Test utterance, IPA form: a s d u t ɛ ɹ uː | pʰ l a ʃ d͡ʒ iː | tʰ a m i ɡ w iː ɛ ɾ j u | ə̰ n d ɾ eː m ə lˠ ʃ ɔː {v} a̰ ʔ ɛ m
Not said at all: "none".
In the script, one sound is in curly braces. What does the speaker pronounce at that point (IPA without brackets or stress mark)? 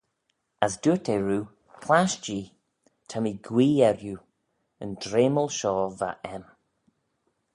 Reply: v